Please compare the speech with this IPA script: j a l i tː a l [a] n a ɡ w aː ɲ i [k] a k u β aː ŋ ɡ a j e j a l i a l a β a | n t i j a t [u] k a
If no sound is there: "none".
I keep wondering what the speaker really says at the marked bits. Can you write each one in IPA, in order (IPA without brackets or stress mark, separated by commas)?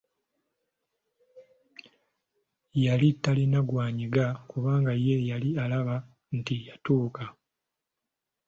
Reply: i, ɡ, uː